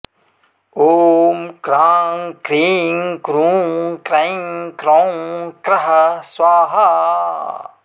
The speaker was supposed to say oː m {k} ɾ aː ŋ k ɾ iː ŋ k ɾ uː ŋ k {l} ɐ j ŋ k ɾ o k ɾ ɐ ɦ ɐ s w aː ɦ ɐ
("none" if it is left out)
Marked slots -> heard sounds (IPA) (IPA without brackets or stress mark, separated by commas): k, ɾ